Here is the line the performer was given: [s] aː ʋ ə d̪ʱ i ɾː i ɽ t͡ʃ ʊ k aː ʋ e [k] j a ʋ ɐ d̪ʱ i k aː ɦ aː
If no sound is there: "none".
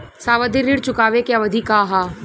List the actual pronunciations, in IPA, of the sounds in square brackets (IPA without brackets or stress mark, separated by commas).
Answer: s, k